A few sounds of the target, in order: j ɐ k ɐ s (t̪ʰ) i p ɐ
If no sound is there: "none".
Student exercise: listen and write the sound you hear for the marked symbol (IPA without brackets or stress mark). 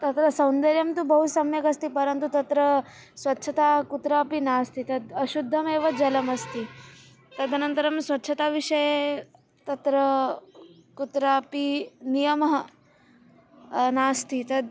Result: t̪